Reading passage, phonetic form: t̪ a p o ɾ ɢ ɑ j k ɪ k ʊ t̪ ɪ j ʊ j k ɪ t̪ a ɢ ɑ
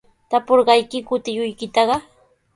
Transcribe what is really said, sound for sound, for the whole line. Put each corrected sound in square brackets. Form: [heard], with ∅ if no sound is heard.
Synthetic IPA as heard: t̪ a p o ɾ ɢ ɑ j k ɪ k ʊ t̪ ɪ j ʊ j k ɪ t̪ [ɑ] ɢ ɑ